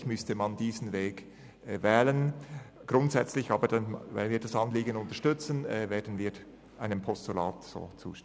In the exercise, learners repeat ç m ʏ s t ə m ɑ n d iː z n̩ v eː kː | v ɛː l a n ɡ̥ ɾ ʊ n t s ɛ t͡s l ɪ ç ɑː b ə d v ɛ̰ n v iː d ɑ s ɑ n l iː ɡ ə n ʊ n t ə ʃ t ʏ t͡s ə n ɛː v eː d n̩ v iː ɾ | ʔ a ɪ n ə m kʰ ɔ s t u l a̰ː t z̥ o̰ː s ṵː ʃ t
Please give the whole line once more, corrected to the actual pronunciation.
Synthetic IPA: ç m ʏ s t ə m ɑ n d iː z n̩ v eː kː | v ɛː l ə n ɡ̥ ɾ ʊ n t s ɛ t͡s l ɪ ç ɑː b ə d v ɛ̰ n v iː d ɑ s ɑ n l iː ɡ ə n ʊ n t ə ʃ t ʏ t͡s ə n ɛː v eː d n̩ v iː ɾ | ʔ a ɪ n ə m pʰ ɔ s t u l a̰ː t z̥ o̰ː t͡s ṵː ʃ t